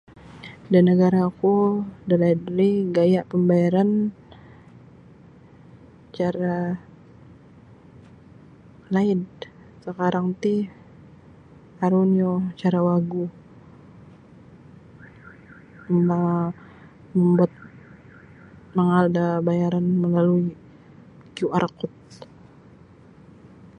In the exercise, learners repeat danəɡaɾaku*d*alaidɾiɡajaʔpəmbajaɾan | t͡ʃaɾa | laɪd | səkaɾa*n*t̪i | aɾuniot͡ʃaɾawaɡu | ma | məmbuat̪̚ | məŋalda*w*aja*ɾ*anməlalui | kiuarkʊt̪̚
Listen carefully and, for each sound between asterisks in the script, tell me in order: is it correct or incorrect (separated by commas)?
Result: correct, incorrect, incorrect, correct